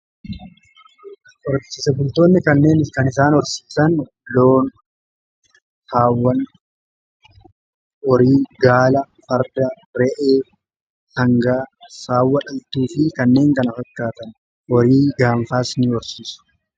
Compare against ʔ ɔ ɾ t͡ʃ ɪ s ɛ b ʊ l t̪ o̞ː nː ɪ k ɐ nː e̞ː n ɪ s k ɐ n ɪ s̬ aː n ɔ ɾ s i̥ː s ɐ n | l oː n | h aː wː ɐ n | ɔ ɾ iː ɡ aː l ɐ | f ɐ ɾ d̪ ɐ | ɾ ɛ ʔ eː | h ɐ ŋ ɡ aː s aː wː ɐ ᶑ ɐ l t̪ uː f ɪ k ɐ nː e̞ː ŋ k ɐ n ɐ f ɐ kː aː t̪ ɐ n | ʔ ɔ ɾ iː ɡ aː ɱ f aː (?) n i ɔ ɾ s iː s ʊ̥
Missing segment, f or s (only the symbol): s